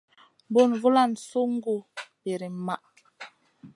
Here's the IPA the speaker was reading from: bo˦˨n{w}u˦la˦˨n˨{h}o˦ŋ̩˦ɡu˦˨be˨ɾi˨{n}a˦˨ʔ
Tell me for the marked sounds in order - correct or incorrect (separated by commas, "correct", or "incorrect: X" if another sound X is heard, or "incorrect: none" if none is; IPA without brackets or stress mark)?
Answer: incorrect: v, incorrect: s, incorrect: m